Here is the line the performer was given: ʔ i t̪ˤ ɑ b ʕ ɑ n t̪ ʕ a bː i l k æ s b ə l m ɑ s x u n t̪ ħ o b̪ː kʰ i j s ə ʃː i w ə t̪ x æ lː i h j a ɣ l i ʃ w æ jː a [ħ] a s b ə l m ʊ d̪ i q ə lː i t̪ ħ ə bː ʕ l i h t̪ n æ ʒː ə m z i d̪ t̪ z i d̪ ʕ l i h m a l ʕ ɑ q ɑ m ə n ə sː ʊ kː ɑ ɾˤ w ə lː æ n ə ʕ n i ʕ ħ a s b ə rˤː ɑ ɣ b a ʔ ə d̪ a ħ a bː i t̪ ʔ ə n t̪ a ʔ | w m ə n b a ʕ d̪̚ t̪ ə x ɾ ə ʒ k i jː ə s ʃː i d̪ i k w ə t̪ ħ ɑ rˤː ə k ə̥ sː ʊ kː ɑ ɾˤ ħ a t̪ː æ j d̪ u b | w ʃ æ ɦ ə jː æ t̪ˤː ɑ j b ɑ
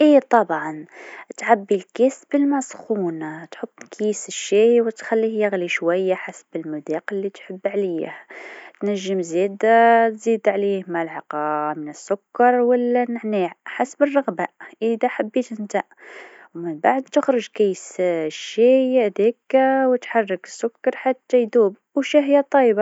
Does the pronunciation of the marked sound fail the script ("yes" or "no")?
no